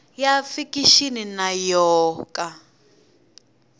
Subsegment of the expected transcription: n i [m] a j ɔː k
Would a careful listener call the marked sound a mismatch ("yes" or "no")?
yes